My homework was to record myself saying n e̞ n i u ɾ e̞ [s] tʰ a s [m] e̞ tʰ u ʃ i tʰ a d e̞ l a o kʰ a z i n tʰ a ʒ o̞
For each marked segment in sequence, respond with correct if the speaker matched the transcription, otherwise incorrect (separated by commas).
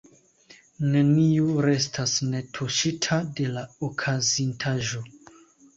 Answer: correct, incorrect